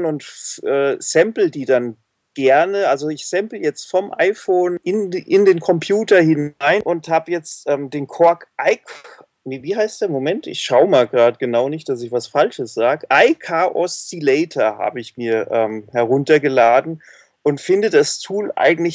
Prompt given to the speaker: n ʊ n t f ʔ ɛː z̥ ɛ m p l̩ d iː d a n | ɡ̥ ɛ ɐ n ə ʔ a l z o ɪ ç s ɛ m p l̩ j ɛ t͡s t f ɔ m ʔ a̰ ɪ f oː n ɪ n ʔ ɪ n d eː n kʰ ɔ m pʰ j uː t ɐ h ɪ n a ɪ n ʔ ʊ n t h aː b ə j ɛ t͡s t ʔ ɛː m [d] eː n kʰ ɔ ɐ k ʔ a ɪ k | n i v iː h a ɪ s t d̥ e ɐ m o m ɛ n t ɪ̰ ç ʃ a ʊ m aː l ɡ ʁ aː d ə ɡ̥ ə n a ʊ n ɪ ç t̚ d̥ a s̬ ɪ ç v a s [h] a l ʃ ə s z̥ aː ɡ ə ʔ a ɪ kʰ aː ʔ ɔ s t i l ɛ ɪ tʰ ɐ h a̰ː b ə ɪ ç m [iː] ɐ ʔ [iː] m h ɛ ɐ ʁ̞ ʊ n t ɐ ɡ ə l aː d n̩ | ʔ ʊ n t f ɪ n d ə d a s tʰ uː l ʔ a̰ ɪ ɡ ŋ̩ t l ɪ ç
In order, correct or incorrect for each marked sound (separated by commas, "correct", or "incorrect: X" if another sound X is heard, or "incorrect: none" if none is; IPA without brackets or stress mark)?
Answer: correct, incorrect: f, correct, incorrect: ɛː